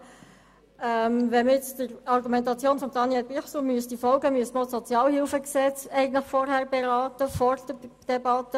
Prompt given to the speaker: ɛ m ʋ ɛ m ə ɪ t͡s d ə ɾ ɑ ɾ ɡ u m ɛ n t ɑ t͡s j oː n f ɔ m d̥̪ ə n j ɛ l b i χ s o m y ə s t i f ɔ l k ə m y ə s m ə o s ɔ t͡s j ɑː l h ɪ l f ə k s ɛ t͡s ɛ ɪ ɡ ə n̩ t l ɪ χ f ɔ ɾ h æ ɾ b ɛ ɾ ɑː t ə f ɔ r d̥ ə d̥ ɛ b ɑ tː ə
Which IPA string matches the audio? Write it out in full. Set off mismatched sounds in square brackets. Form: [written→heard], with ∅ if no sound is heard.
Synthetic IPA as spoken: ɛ m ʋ ɛ m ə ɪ t͡s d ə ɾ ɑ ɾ ɡ u m ɛ n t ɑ t͡s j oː n f ɔ m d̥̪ [ə→ɑ] n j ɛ l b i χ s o m y ə s t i f ɔ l [k→ɡ] ə m y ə s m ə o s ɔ t͡s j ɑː l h ɪ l f ə k s ɛ t͡s ɛ ɪ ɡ ə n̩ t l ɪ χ f ɔ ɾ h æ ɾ b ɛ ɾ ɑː t ə f ɔ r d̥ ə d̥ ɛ b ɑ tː ə